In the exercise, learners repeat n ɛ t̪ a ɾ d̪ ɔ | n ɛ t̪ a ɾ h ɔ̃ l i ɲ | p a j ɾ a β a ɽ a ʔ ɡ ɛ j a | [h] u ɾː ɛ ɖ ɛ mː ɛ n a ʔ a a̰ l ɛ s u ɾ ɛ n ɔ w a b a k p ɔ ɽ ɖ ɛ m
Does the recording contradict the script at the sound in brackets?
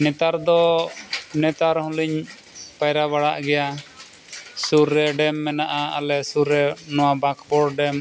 yes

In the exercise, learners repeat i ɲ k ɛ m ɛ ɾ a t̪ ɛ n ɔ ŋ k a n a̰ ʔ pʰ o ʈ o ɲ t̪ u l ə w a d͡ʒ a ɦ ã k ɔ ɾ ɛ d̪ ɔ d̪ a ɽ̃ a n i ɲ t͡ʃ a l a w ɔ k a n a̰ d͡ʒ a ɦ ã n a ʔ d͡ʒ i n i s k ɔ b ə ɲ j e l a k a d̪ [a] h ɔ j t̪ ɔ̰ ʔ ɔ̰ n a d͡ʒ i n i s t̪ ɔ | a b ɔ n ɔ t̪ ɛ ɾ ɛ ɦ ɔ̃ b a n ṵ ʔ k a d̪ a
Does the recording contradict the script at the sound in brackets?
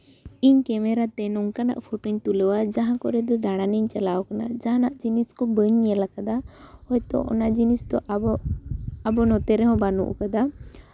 no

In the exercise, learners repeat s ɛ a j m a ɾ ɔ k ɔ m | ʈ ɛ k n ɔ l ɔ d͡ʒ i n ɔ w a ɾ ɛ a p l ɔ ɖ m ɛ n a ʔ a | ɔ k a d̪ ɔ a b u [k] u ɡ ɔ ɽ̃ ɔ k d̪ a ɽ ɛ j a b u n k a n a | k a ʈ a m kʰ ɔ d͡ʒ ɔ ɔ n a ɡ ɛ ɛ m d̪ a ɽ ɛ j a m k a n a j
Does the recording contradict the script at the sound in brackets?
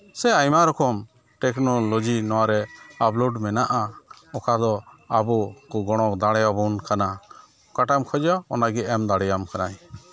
no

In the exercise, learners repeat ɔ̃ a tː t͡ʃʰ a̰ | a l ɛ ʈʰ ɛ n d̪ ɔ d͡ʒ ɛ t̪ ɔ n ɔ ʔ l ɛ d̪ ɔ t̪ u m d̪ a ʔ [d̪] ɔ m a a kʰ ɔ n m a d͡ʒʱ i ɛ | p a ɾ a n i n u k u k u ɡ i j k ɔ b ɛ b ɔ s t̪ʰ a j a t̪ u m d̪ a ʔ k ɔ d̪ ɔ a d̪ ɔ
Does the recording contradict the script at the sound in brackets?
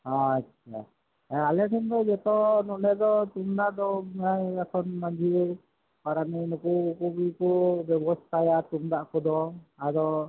no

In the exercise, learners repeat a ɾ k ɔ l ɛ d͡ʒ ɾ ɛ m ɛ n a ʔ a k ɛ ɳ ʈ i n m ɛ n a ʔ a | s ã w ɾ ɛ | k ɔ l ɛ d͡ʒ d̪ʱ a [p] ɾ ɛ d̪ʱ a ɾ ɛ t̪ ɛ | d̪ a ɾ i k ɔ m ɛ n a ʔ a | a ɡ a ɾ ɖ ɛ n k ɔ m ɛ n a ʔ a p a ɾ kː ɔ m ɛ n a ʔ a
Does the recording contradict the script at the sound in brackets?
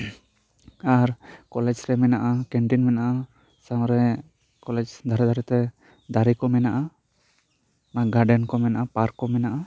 yes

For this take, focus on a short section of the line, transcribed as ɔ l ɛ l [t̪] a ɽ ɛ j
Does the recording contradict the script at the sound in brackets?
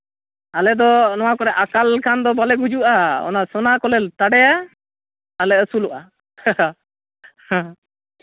no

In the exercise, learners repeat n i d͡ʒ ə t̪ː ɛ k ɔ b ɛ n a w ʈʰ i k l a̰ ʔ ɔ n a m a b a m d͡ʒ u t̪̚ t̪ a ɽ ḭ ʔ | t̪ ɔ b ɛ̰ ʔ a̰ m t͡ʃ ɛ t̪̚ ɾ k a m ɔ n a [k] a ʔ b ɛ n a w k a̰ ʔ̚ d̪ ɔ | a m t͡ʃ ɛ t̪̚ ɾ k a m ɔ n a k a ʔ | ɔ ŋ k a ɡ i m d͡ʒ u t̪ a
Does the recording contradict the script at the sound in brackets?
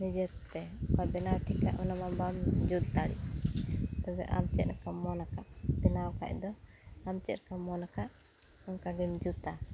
no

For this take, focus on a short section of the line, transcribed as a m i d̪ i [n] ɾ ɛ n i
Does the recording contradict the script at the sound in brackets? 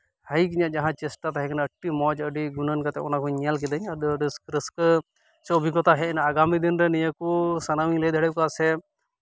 no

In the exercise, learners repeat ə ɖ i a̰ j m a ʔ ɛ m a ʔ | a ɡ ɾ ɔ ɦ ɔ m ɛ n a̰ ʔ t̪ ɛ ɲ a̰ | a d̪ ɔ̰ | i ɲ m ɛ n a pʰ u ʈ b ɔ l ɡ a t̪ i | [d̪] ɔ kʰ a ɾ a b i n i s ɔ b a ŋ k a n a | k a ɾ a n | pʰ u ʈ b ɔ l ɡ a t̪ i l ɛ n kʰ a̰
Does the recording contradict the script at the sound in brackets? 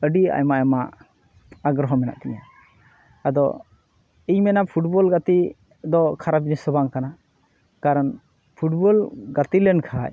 no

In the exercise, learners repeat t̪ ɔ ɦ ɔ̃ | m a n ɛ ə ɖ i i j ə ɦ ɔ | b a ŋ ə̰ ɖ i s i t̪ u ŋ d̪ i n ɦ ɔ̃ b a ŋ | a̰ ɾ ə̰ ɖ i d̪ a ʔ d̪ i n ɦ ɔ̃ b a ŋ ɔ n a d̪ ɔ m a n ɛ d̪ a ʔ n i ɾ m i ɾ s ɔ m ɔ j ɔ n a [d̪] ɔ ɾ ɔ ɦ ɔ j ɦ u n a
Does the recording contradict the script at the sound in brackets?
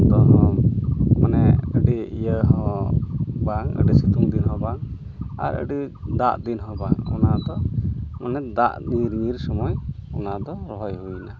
no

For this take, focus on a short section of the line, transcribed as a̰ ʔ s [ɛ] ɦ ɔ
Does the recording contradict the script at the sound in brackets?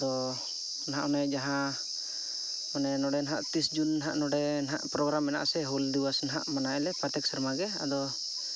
no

